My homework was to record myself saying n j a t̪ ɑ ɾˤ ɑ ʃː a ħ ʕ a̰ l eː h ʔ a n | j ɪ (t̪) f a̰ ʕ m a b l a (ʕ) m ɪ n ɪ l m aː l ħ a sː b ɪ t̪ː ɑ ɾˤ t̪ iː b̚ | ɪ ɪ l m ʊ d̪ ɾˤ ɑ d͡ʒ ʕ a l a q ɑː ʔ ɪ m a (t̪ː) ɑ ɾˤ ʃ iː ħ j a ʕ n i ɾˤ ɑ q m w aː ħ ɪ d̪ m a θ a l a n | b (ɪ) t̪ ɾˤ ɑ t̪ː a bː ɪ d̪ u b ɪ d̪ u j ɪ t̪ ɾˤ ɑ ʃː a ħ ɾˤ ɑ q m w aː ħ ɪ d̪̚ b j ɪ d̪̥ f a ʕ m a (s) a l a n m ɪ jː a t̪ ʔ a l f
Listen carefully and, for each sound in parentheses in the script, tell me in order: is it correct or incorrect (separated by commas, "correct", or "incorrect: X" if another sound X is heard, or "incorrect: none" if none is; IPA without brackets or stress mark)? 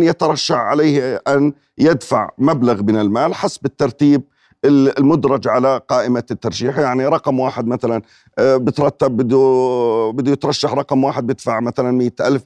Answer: incorrect: d̪, incorrect: ɣ, correct, correct, incorrect: θ